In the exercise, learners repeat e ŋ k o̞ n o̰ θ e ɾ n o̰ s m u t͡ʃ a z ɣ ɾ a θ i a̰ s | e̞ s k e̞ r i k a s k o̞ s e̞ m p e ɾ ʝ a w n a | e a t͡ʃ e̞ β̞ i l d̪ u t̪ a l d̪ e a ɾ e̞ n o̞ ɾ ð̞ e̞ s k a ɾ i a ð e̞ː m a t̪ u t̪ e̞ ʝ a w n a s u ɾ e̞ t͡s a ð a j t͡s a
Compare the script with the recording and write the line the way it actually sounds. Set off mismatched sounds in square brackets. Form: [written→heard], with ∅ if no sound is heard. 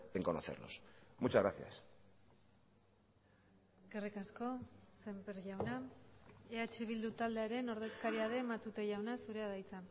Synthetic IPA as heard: e ŋ k o̞ n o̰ θ e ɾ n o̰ s m u t͡ʃ a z ɣ ɾ a θ [i→j] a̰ s | e̞ s k e̞ r i k a s k o̞ s e̞ m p e ɾ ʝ a w n a | e a t͡ʃ e̞ β̞ i l d̪ u t̪ a l d̪ e a ɾ e̞ n o̞ ɾ ð̞ e̞ s k a ɾ i a ð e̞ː m a t̪ u t̪ e̞ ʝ a w n a s u ɾ e̞ [t͡s→∅] a ð a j t͡s a